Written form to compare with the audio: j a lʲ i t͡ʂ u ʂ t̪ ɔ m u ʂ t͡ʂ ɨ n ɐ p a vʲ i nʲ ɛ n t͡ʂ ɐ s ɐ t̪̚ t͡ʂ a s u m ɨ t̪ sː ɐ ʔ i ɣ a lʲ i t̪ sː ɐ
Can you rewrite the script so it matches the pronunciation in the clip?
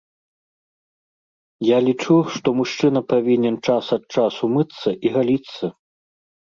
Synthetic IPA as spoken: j a lʲ i t͡ʂ u ʂ t̪ ɔ m u ʂ t͡ʂ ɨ n ɐ p a vʲ i nʲ ɛ n t͡ʂ a s ɐ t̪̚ t͡ʂ a s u m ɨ t̪ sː ɐ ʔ i ɣ a lʲ i t̪ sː ɐ